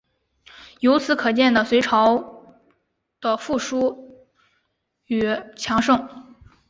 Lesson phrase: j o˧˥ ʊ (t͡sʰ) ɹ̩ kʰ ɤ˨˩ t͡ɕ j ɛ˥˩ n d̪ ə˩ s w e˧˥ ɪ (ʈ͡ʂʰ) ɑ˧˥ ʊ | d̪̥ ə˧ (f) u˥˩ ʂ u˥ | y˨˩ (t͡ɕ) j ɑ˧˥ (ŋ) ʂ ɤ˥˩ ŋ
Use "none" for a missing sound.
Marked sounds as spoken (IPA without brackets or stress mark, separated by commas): t͡sʰ, ʈ͡ʂʰ, f, t͡ɕʰ, ŋ